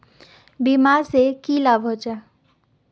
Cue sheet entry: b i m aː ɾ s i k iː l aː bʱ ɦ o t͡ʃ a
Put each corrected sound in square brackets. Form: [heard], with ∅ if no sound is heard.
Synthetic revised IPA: b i m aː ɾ s [e] k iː l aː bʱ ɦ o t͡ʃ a